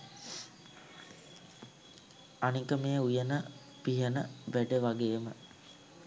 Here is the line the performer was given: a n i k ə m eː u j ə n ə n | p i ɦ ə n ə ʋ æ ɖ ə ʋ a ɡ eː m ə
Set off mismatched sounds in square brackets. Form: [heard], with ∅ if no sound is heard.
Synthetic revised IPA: a n i k ə m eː u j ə n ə [∅] | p i ɦ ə n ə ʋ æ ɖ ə ʋ a ɡ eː m ə